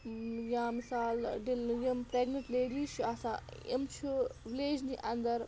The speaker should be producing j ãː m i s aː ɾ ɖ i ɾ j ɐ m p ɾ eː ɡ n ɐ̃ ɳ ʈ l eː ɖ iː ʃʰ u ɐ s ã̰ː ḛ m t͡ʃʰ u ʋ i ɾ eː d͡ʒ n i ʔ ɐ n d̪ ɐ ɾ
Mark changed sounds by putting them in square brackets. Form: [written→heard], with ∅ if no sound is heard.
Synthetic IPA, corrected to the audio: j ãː m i s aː [ɾ→l] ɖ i [ɾ→l] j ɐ m p ɾ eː ɡ n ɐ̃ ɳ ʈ l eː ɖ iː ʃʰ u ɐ s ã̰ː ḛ m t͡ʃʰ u ʋ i [ɾ→l] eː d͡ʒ n i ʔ ɐ n d̪ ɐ ɾ